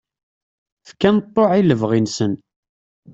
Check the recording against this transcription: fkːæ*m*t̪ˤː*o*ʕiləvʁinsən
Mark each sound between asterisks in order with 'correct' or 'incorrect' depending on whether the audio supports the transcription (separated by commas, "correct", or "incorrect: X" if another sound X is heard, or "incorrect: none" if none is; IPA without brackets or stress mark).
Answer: incorrect: n, correct